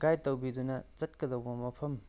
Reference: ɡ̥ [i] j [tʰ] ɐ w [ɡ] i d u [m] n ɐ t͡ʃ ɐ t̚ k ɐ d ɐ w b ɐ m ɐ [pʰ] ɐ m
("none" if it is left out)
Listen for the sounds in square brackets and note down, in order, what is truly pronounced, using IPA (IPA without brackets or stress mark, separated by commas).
a, t, b, none, pʰ